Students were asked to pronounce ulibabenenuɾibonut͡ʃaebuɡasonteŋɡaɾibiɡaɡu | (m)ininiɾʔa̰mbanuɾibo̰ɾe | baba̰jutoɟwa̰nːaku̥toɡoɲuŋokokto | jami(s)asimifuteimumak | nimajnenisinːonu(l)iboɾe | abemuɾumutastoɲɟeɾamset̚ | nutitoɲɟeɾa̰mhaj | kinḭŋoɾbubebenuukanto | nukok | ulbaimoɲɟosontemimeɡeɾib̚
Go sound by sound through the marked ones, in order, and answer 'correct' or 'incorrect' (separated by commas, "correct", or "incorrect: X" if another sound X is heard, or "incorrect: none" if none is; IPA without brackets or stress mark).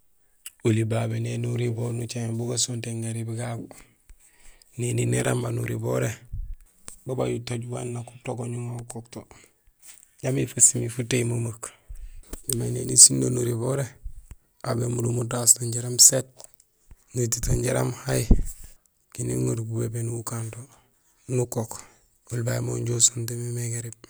incorrect: n, incorrect: f, incorrect: ɾ